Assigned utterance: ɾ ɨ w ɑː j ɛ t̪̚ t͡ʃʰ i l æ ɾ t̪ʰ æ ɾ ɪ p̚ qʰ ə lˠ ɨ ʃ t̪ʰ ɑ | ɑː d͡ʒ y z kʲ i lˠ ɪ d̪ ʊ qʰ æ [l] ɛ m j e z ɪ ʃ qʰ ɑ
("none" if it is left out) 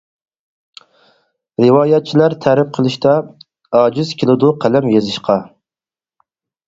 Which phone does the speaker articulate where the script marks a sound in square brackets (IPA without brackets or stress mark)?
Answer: l